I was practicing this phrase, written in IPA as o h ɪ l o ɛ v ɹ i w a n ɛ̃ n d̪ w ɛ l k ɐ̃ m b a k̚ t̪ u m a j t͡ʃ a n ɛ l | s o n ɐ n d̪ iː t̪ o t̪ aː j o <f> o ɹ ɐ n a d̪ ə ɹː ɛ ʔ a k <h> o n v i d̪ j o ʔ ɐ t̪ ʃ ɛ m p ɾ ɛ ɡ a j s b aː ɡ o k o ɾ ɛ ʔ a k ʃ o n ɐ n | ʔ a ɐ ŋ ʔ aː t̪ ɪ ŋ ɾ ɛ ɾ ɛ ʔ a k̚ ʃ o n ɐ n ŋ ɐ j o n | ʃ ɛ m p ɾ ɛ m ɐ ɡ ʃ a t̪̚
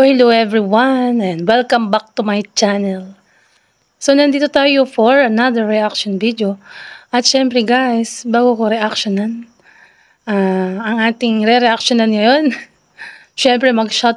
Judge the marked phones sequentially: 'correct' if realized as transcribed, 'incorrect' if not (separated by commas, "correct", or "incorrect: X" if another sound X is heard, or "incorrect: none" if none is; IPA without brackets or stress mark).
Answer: correct, incorrect: ʃ